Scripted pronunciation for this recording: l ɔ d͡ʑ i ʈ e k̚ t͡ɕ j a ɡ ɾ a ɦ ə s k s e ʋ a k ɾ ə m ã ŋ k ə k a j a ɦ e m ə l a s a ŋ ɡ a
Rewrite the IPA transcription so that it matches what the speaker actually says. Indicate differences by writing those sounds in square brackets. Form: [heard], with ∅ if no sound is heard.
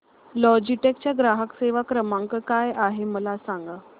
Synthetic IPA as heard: l ɔ d͡ʑ i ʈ e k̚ t͡ɕ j a ɡ ɾ a ɦ ə [∅] k s e ʋ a k ɾ ə m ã ŋ k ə k a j a ɦ e m ə l a s a ŋ ɡ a